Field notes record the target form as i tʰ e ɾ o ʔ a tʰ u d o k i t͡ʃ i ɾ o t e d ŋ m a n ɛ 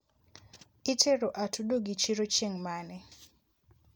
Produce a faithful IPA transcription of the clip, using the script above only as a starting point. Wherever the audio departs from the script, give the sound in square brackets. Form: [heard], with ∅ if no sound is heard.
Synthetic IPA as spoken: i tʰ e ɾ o ʔ a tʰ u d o [ɡ] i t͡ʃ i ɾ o [t͡ʃ] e [∅] ŋ m a n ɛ